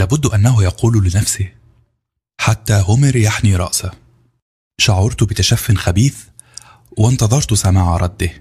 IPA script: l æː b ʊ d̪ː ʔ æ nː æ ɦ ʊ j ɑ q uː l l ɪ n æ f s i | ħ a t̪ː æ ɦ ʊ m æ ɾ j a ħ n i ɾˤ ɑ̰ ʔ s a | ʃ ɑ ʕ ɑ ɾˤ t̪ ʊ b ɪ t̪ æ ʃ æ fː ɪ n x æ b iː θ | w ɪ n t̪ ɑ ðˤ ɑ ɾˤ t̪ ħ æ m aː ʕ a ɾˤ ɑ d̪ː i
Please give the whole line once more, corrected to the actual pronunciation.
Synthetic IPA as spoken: l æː b ʊ d̪ː ʔ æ nː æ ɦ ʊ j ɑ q uː l l ɪ n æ f s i | ħ a t̪ː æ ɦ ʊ m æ ɾ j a ħ n i ɾˤ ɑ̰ ʔ s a | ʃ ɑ ʕ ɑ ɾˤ t̪ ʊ b ɪ t̪ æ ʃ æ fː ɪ n x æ b iː θ | w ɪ n t̪ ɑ ðˤ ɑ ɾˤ t̪ s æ m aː ʕ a ɾˤ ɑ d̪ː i